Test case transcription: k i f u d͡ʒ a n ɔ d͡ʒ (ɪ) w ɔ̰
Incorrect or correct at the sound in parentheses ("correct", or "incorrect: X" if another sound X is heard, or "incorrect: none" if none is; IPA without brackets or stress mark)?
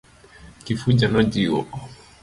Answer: incorrect: i